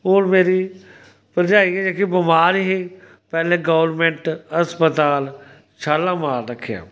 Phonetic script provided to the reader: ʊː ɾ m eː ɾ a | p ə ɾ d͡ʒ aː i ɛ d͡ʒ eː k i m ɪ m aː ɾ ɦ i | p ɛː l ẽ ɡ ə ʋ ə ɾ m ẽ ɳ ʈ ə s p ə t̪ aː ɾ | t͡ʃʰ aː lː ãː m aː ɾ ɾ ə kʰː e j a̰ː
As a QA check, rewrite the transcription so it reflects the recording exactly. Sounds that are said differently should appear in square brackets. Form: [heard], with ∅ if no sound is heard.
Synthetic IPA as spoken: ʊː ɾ m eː ɾ [i] | p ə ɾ d͡ʒ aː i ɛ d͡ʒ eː k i [b] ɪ m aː ɾ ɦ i | p ɛː l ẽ ɡ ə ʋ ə ɾ m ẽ ɳ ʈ ə s p ə t̪ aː [l] | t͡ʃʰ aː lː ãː m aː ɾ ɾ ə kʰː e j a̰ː